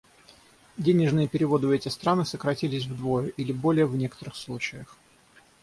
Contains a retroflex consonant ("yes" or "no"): yes